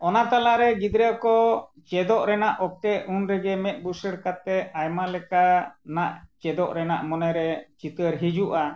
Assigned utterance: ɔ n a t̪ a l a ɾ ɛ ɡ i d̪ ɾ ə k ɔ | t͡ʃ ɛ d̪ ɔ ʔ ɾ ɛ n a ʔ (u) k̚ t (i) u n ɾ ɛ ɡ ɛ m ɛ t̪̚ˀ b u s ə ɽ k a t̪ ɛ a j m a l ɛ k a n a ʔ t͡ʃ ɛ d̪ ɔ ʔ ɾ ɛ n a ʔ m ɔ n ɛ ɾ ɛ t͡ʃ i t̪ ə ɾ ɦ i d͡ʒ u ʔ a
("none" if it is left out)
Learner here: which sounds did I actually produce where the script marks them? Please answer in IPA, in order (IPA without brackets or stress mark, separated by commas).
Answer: ɔ, ɛ